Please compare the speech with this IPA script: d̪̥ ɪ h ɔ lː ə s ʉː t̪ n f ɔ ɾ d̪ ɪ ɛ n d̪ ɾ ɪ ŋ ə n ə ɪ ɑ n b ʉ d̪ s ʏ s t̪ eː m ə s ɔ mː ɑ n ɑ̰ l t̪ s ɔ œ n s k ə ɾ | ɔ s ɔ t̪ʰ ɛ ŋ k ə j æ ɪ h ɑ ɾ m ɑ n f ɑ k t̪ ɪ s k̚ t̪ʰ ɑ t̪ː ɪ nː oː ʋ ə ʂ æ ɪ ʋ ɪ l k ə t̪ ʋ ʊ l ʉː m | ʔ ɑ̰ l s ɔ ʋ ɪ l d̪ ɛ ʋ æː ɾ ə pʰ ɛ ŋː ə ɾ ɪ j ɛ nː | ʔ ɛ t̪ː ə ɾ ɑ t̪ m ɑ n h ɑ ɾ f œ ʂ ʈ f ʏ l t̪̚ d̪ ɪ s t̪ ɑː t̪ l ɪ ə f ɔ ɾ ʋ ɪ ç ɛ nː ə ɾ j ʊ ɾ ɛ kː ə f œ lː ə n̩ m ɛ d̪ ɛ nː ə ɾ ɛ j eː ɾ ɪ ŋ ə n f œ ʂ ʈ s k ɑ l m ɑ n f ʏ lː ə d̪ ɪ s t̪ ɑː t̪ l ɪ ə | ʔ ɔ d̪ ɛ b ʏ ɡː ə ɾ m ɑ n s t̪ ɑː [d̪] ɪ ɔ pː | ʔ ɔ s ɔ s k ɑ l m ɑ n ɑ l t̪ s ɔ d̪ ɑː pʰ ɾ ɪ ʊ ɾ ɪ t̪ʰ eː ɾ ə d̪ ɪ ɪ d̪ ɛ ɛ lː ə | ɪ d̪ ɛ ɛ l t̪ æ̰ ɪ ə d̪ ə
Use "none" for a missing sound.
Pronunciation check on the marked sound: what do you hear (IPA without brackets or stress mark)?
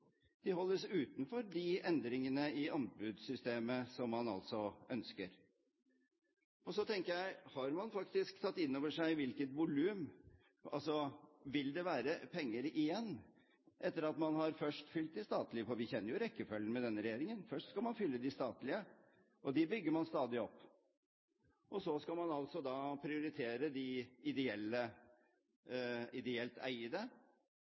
d̪